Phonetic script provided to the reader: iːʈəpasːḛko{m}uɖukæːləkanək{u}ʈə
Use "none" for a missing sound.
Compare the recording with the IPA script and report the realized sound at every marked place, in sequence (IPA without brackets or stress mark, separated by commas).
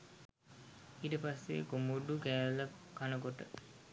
m, o